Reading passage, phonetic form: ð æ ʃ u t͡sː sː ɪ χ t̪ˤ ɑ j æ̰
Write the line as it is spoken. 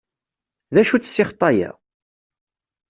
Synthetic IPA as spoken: ð æ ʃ u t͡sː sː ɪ χ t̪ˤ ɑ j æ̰